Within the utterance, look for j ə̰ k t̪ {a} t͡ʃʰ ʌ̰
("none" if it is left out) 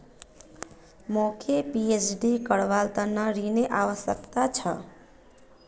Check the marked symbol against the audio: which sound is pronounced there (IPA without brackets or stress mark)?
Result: a